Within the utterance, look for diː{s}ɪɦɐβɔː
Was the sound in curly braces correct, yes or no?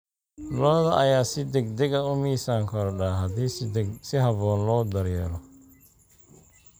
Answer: yes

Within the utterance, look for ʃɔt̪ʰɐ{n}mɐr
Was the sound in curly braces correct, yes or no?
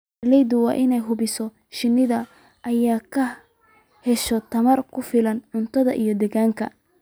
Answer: no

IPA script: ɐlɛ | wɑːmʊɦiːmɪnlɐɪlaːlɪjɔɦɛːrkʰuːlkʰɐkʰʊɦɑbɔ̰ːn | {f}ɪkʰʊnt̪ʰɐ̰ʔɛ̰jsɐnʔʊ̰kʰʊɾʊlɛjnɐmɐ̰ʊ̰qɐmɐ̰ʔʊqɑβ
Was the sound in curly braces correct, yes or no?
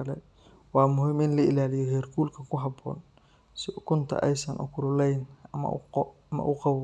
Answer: no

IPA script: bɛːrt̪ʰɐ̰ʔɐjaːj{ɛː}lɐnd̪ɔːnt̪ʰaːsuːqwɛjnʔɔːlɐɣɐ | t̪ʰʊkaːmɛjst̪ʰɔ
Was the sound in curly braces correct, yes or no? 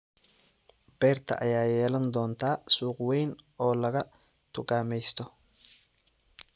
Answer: yes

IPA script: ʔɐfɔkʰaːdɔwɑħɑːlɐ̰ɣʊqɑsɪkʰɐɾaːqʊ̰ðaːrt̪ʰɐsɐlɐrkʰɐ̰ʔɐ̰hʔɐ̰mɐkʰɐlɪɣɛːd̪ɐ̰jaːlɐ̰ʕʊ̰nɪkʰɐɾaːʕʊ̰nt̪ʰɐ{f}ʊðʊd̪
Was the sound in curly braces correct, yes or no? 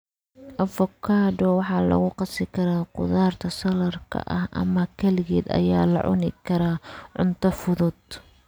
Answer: yes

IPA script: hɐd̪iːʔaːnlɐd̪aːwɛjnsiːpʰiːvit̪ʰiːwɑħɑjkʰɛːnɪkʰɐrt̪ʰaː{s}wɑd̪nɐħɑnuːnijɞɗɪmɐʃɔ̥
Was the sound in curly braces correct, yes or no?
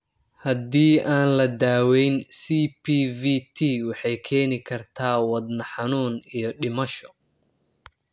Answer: no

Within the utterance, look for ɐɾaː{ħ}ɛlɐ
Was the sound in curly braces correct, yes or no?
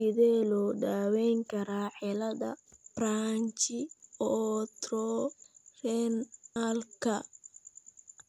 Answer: yes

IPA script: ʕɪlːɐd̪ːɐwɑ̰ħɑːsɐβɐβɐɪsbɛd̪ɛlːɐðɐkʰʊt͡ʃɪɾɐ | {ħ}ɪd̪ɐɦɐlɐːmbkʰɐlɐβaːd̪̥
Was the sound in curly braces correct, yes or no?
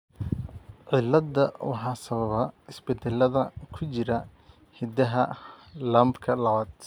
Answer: no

